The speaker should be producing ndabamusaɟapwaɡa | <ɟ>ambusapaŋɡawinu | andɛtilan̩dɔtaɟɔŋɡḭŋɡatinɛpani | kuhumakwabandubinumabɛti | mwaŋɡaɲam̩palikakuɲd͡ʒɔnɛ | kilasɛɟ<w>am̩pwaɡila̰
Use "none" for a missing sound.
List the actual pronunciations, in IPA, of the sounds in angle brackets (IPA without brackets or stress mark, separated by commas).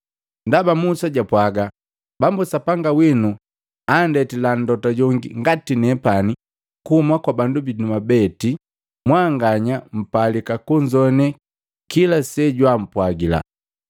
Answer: b, w